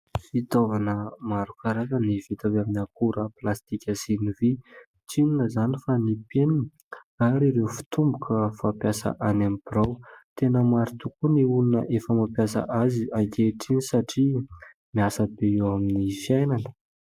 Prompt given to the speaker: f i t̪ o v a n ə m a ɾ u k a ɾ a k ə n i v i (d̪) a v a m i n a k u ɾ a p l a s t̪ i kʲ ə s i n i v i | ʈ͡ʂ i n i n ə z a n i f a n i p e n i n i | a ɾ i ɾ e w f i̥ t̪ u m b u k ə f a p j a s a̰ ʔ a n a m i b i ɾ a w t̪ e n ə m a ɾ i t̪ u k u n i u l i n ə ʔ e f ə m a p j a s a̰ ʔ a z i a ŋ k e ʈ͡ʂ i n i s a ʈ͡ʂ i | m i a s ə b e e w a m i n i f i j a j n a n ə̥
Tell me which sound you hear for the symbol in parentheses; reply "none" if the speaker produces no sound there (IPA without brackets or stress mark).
t̪